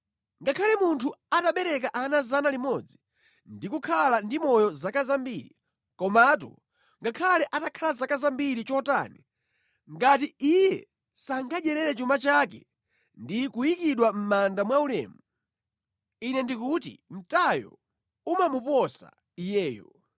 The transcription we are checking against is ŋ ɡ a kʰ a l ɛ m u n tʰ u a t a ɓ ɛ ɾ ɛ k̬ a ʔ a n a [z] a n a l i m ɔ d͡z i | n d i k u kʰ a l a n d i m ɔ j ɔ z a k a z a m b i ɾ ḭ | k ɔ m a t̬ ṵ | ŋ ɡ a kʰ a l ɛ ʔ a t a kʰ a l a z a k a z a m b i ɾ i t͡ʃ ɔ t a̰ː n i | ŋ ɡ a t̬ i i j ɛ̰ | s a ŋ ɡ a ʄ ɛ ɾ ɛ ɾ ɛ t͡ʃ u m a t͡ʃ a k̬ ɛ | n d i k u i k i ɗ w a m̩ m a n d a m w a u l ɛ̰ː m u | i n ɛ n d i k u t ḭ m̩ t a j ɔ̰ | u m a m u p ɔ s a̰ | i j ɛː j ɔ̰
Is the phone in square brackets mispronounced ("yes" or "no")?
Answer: no